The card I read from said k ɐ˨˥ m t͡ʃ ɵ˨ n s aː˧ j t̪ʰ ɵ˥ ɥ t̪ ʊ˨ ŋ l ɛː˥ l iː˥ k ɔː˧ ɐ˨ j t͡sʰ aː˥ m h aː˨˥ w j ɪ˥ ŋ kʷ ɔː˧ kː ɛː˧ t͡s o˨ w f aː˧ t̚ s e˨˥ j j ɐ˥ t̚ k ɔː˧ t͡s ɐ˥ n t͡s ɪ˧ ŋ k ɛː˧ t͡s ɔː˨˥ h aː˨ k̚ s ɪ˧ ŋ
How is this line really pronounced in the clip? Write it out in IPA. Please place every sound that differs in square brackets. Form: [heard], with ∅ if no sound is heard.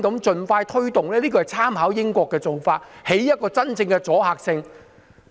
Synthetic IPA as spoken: k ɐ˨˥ m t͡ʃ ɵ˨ n [f] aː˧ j t̪ʰ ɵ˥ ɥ t̪ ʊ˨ ŋ l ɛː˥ l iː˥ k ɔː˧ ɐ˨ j t͡sʰ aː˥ m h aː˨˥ w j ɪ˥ ŋ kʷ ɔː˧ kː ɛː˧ t͡s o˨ w f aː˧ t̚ [h] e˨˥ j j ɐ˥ t̚ k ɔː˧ t͡s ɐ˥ n t͡s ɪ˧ ŋ k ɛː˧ t͡s ɔː˨˥ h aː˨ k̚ s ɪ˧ ŋ